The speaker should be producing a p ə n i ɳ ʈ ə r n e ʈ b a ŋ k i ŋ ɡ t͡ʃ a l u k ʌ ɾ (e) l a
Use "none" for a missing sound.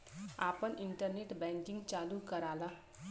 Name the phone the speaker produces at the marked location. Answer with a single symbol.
a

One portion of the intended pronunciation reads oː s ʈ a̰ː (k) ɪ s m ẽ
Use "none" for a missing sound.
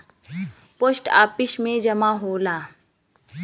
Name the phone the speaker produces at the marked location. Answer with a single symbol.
p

